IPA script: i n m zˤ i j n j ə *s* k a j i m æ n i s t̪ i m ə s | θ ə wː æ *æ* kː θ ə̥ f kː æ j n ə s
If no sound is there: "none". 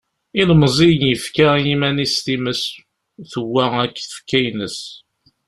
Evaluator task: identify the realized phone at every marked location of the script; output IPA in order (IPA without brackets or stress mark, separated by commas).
f, æ